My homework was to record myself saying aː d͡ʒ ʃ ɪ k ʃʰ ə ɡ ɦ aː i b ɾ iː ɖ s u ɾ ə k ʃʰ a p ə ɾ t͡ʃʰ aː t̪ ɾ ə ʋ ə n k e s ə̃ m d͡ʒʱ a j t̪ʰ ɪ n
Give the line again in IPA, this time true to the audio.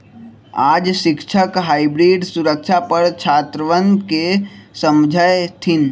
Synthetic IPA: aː d͡ʒ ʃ ɪ k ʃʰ ə k ɦ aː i b ɾ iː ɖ s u ɾ ə k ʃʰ a p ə ɾ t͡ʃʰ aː t̪ ɾ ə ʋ ə n k e s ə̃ m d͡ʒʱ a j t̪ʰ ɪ n